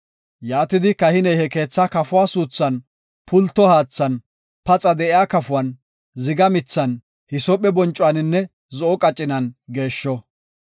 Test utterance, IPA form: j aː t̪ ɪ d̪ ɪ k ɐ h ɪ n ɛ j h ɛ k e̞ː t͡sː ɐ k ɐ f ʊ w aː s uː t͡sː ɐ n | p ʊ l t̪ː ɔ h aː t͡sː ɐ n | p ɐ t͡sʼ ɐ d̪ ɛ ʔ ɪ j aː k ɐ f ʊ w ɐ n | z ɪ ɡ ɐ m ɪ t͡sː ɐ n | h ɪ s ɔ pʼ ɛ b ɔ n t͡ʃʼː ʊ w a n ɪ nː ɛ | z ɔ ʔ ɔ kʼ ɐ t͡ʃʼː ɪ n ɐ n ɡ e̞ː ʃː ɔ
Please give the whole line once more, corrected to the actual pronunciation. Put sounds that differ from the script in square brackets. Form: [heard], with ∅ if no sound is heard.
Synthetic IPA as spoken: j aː t̪ ɪ d̪ ɪ k ɐ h ɪ n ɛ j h ɛ k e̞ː t͡sː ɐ k ɐ f ʊ w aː s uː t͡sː ɐ n | p ʊ l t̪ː ɔ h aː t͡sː ɐ n | p ɐ t͡sʼ ɐ d̪ ɛ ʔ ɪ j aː k ɐ f ʊ w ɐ n | z ɪ ɡ ɐ m ɪ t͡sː ɐ n | h ɪ s ɔ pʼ ɛ b ɔ n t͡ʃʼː ʊ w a n ɪ nː ɛ | z ɔ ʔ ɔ kʼ ɐ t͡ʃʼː ɪ n ɐ n ɡ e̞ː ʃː ɔ